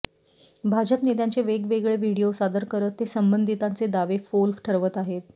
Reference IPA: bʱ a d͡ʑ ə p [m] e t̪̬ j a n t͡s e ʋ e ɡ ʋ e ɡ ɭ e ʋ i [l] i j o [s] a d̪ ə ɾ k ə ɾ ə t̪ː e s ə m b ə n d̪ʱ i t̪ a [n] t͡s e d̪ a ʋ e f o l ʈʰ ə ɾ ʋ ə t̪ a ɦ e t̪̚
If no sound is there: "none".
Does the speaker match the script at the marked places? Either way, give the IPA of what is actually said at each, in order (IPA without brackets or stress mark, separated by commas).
n, ɽ, s, n